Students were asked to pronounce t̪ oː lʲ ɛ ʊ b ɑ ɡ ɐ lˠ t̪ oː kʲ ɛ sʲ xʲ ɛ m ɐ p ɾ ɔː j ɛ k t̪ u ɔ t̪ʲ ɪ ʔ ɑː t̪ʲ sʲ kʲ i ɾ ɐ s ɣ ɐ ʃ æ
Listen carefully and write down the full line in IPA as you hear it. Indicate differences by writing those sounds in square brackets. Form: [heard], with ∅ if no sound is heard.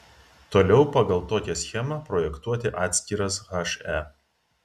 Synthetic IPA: t̪ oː lʲ ɛ ʊ [p] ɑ ɡ ɐ lˠ t̪ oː kʲ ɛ sʲ xʲ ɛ m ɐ p ɾ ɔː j ɛ k t̪ u ɔ t̪ʲ ɪ ʔ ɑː t̪ʲ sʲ kʲ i ɾ ɐ s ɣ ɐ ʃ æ